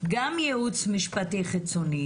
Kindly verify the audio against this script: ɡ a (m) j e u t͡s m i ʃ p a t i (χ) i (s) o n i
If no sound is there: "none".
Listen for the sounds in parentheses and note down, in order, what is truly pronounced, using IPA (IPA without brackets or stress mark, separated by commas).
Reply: m, χ, t͡s